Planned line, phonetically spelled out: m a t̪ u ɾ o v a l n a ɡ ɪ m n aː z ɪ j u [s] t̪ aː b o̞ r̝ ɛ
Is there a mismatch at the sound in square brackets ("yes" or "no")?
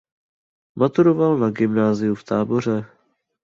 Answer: yes